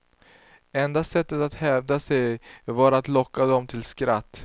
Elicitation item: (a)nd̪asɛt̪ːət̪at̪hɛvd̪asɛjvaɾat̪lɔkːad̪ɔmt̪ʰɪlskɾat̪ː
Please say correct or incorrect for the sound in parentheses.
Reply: incorrect